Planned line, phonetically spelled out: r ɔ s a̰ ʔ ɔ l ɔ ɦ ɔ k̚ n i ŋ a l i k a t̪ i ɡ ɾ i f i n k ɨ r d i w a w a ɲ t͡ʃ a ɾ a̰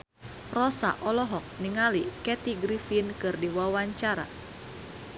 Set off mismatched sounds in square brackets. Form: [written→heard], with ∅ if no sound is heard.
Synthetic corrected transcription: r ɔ s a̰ ʔ ɔ l ɔ ɦ ɔ k̚ n i ŋ a l i k [a→ɛ] t̪ i ɡ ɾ i f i n k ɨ r d i w a w a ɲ t͡ʃ a ɾ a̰